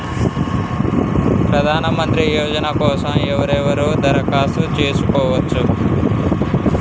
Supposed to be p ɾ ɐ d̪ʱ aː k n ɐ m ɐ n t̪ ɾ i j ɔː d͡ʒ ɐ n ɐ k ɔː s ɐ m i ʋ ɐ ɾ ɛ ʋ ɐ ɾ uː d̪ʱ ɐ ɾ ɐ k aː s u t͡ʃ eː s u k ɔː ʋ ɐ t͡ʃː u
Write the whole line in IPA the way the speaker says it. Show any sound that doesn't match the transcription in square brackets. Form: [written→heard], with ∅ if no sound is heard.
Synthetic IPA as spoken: p ɾ ɐ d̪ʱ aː [k→∅] n ɐ m ɐ n t̪ ɾ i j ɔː d͡ʒ ɐ n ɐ k ɔː s ɐ m [i→ɛ] ʋ ɐ ɾ ɛ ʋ ɐ ɾ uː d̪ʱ ɐ ɾ ɐ k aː s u t͡ʃ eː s u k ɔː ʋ ɐ t͡ʃː u